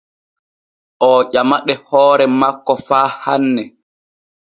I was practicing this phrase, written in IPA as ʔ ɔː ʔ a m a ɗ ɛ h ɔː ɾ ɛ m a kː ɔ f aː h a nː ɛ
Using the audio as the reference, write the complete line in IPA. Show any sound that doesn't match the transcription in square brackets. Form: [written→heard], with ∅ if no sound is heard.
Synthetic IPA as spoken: ʔ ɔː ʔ a m a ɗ ɛ h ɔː ɾ ɛ m a kː ɔ f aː h a nː ɛ